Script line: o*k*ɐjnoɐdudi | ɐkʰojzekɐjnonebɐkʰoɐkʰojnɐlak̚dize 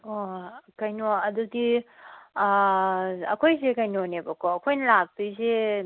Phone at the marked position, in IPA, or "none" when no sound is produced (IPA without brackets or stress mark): k